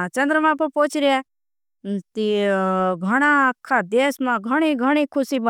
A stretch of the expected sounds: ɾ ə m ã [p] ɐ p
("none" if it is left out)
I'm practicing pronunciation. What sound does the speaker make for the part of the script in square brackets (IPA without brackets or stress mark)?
p